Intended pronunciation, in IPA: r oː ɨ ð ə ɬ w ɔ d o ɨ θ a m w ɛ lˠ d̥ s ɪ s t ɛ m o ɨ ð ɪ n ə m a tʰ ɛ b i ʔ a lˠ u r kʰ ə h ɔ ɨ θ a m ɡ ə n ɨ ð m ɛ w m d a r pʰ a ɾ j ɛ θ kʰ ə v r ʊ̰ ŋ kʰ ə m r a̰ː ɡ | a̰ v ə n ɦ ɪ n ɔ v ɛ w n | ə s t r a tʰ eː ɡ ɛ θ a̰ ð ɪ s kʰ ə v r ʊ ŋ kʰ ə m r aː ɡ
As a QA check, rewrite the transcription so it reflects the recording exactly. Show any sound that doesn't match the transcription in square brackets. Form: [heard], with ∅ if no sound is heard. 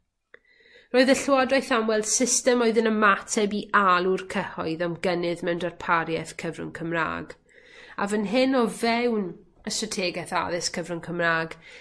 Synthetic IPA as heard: r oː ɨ ð ə ɬ w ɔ d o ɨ θ a m w ɛ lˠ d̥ s ɪ s t ɛ m o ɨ ð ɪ n ə m a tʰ ɛ b i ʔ a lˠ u r kʰ ə h ɔ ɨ [ð] a m ɡ ə n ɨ ð m ɛ w [n] d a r pʰ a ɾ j ɛ θ kʰ ə v r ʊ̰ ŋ kʰ ə m r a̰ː ɡ | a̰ v ə n ɦ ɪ n ɔ v ɛ w n | ə s t r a tʰ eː ɡ ɛ θ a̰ ð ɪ s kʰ ə v r ʊ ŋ kʰ ə m r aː ɡ